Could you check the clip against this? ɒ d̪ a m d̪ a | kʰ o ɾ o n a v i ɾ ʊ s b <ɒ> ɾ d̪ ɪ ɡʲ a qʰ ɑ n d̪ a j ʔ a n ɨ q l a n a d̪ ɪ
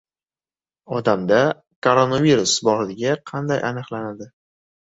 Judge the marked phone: correct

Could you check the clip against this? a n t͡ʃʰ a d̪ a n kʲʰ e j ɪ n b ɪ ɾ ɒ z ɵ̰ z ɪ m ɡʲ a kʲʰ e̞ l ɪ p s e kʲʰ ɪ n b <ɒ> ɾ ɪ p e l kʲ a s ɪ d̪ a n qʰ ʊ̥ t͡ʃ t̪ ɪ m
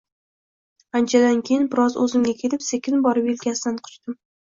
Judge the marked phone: correct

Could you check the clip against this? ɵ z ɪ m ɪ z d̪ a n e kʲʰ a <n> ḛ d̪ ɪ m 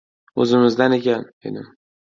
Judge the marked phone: correct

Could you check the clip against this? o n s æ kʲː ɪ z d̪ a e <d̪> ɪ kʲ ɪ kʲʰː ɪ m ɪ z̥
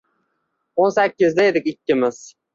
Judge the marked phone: correct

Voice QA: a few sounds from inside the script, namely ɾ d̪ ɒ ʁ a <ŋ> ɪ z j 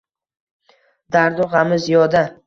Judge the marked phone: incorrect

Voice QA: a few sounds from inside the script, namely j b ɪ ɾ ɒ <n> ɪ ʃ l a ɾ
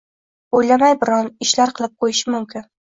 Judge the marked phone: correct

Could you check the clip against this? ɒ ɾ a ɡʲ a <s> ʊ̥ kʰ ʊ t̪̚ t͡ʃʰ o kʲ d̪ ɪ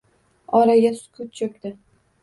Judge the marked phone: correct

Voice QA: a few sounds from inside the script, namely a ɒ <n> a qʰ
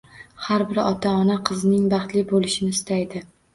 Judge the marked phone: correct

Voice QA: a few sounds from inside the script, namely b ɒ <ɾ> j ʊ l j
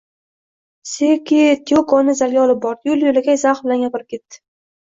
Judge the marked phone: correct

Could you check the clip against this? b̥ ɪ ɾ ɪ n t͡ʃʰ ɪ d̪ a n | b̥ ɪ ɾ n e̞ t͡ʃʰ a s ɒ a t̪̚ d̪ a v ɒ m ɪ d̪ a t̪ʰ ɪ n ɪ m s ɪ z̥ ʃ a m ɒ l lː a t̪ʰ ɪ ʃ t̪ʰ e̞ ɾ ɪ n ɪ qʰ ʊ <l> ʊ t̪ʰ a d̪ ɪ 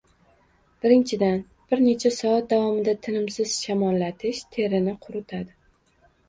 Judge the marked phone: incorrect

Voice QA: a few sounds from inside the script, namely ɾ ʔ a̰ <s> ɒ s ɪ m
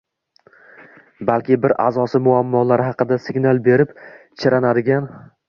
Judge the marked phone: incorrect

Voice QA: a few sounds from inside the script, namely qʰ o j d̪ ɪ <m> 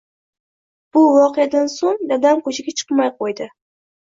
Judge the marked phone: incorrect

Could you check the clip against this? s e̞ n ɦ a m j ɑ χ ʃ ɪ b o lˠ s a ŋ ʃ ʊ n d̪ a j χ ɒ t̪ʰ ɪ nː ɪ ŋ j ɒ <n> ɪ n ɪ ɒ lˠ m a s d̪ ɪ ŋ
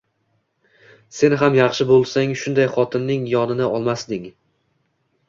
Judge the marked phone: correct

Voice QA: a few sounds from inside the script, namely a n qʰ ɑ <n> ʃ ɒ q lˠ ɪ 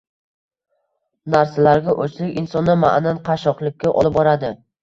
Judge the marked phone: incorrect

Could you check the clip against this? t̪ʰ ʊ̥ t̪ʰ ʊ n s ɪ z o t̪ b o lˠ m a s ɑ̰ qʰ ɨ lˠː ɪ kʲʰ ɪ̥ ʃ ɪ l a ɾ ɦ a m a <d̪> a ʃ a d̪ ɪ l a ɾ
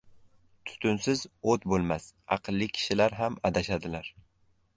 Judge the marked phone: correct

